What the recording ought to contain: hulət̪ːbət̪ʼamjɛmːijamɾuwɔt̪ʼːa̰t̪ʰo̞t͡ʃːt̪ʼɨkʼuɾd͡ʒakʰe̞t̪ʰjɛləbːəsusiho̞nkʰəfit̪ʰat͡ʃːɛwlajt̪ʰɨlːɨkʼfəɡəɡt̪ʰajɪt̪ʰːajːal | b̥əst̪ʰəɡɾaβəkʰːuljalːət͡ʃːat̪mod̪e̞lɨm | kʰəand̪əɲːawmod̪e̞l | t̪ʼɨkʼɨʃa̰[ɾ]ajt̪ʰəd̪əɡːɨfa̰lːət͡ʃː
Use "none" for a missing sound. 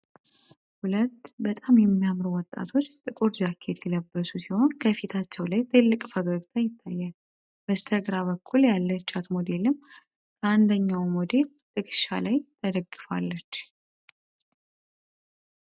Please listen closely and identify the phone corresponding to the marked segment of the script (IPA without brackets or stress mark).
l